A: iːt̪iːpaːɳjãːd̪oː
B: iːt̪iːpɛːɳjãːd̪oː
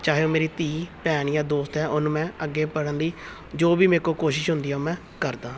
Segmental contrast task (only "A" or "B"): B